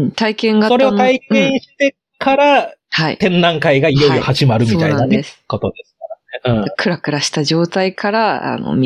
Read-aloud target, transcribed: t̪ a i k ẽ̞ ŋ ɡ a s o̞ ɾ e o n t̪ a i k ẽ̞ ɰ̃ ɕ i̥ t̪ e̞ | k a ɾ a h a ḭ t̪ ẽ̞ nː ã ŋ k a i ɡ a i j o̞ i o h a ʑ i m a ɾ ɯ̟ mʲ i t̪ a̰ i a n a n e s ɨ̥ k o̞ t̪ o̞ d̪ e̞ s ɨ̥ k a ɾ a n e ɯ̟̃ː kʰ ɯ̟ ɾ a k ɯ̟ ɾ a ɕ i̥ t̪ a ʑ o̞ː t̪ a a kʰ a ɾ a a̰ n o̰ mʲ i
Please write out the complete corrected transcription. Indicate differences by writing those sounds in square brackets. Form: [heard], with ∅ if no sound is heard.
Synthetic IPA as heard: t̪ a i k ẽ̞ ŋ ɡ a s o̞ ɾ e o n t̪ a i k ẽ̞ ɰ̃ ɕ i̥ t̪ e̞ | k a ɾ a h a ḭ t̪ ẽ̞ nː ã ŋ k a i ɡ a i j o̞ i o h a ʑ i m a ɾ ɯ̟ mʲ i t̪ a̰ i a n a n e s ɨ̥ k o̞ t̪ o̞ d̪ e̞ s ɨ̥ k a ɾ a n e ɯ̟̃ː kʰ ɯ̟ ɾ a k ɯ̟ ɾ a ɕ i̥ t̪ a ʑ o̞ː t̪ a [i] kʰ a ɾ a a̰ n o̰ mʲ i